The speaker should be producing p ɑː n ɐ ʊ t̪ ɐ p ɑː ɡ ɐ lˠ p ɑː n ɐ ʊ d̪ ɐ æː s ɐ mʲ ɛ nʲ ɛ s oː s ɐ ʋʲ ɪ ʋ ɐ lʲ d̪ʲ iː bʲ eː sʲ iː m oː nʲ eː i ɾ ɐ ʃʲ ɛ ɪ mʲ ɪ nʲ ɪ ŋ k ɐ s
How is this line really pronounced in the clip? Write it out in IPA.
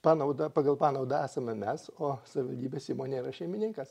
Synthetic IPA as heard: p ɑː n ɐ ʊ d̪ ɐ p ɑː ɡ ɐ lˠ p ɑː n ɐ ʊ d̪ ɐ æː s ɐ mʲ ɛ mʲ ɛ s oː s ɐ ʋʲ ɪ ʋ ɐ lʲ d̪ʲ iː bʲ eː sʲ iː m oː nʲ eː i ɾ ɐ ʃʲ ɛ ɪ mʲ ɪ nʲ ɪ ŋ k ɐ s